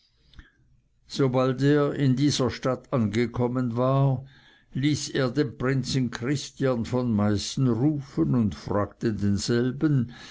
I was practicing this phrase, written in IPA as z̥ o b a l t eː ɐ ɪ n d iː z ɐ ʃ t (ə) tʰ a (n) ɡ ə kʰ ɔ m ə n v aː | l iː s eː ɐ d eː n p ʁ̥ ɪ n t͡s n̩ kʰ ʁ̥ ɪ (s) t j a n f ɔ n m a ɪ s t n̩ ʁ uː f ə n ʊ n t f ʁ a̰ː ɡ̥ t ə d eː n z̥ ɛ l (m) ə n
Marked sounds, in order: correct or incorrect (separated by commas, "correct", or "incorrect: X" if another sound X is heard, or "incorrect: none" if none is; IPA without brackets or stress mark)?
incorrect: a, correct, correct, incorrect: b